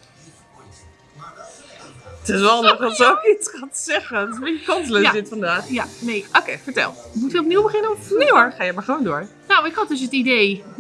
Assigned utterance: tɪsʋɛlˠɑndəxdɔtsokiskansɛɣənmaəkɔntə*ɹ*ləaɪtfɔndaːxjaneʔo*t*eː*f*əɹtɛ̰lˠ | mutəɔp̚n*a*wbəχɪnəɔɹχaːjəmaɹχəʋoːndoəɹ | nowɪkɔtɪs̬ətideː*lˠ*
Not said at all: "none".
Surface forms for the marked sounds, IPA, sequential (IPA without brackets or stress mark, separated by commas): none, k, f, i, none